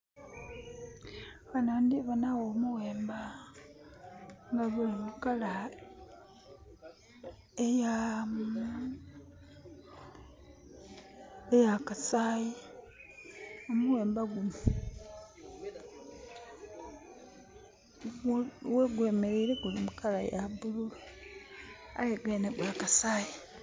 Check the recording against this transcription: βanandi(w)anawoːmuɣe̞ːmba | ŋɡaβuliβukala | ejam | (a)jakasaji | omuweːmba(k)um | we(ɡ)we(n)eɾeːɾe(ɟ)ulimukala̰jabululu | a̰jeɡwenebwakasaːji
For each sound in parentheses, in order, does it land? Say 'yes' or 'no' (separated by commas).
no, no, no, yes, no, no